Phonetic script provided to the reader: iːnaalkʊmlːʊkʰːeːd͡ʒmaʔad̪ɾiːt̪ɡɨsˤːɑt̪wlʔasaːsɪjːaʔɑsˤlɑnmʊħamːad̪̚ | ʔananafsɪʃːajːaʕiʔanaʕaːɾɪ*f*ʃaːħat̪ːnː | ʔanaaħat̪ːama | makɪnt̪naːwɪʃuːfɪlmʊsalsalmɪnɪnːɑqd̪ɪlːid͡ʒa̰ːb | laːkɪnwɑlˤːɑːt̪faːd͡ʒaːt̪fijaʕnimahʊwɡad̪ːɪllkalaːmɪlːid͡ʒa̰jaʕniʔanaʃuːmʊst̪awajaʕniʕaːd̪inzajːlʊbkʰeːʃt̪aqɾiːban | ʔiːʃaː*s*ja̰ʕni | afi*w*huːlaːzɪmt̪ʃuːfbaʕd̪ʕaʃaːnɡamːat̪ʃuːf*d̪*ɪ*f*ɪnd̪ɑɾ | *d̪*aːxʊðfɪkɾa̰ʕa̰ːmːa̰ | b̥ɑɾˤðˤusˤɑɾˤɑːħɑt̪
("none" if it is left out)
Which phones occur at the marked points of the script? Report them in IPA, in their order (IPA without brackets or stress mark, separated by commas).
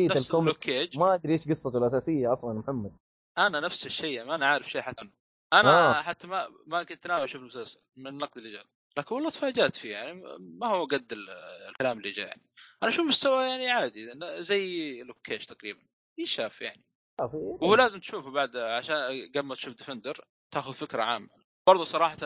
f, f, w, d̪, f, t̪